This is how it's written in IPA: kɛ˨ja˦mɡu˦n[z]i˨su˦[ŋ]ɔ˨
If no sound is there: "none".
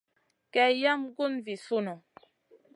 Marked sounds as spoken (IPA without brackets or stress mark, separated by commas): v, n